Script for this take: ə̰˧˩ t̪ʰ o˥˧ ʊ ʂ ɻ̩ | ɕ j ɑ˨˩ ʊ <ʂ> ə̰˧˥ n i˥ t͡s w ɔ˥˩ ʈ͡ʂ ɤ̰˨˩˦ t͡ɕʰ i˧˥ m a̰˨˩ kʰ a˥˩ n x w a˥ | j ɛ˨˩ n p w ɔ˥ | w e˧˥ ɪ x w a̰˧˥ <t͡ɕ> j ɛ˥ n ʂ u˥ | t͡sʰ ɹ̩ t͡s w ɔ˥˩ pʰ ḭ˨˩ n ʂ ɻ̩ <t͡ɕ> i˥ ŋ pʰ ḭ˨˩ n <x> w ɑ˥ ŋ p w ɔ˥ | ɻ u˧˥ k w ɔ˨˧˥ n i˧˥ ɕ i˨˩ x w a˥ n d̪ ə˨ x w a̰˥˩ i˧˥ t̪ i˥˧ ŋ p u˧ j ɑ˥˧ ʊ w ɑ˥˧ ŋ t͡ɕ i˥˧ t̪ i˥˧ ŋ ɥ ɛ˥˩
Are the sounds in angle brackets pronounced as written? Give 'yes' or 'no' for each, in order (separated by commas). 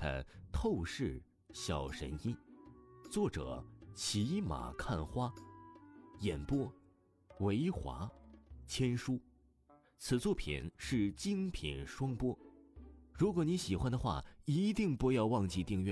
yes, no, yes, no